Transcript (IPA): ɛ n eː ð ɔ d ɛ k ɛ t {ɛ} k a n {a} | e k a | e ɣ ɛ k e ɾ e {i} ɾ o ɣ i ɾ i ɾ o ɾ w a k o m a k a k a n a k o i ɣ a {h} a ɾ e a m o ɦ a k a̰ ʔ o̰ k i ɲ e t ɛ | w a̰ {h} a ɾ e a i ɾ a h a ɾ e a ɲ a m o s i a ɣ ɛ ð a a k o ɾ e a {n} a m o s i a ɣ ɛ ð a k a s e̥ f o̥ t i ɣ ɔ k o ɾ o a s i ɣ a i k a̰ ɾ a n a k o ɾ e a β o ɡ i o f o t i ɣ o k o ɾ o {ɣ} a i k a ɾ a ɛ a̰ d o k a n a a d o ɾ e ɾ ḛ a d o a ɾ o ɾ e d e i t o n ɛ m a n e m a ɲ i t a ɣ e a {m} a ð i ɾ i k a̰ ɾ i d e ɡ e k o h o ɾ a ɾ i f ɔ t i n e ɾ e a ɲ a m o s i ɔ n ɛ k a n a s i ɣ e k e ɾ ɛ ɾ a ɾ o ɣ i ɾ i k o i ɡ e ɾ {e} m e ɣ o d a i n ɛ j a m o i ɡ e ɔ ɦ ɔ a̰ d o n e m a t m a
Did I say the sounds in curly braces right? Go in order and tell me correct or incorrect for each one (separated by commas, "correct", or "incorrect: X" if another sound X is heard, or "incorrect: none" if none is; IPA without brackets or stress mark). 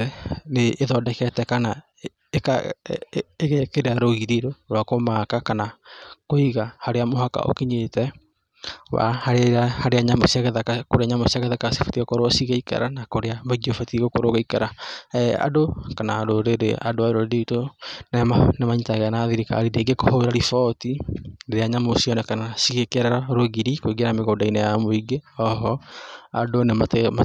correct, correct, incorrect: a, correct, correct, incorrect: ɲ, correct, incorrect: n, incorrect: a